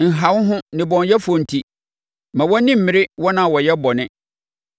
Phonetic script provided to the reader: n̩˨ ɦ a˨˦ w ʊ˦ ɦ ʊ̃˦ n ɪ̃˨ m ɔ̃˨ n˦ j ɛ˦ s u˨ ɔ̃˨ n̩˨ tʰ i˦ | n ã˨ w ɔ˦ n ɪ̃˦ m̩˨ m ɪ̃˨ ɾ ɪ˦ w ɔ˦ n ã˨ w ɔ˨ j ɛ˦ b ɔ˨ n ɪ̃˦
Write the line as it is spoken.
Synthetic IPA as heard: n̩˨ ɦ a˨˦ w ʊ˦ ɦ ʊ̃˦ n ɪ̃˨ b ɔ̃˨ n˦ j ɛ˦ f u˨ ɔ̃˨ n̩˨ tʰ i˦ | m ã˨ w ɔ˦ n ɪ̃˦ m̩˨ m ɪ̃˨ ɾ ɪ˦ w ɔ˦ n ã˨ w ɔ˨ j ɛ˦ b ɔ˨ n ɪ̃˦